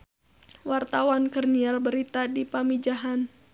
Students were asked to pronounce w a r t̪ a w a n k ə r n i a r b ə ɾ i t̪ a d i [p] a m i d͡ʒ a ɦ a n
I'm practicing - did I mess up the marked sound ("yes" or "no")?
no